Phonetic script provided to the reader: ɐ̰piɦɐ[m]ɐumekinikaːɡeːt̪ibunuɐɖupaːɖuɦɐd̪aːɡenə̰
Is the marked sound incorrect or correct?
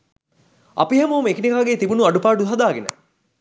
correct